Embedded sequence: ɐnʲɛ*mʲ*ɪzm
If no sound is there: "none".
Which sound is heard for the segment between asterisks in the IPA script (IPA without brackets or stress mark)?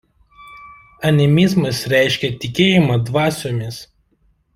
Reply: mʲ